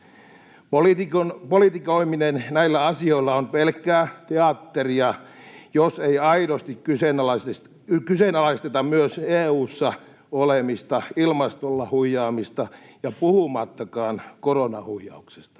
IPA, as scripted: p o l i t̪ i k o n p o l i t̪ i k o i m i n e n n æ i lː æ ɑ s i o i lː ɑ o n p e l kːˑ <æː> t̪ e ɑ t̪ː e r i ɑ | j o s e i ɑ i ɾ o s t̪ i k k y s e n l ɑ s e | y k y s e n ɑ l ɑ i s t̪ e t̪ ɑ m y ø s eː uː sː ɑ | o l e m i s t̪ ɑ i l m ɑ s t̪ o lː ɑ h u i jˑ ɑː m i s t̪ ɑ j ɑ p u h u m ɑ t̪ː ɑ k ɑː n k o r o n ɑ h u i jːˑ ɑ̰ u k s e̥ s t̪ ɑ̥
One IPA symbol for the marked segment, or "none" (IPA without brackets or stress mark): æː